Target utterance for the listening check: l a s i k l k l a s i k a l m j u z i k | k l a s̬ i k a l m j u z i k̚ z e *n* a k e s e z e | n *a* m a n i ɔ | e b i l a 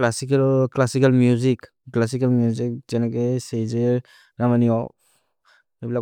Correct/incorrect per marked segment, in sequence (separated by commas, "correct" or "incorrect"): correct, correct